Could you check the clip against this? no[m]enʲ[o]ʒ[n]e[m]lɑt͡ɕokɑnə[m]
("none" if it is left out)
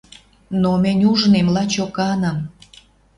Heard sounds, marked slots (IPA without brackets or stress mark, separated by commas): m, u, n, m, m